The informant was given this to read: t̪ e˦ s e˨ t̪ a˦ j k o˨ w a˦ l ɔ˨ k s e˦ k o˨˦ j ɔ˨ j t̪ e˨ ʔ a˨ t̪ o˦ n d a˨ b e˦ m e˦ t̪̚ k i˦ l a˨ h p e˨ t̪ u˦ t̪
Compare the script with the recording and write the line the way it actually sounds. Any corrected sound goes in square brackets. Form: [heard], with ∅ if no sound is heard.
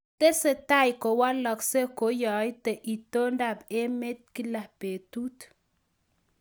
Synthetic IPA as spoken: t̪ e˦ s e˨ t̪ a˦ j k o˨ w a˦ l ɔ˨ k s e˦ k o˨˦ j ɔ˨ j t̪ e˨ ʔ [i˨] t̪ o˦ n d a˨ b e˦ m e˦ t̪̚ k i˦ l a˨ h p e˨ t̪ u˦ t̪